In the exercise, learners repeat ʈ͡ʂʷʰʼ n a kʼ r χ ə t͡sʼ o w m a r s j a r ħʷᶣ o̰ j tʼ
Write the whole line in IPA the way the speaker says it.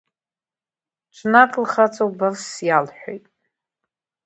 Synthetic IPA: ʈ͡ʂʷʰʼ n a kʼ l χ a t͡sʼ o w b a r s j a l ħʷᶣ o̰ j tʼ